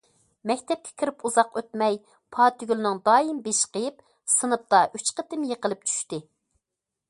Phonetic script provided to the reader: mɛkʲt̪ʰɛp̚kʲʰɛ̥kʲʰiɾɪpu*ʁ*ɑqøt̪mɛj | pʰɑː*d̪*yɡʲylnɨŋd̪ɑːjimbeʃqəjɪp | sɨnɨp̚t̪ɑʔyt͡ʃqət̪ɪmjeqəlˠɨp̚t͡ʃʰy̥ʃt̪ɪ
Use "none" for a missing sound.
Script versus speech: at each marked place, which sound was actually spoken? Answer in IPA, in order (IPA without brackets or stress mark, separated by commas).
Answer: z, t̪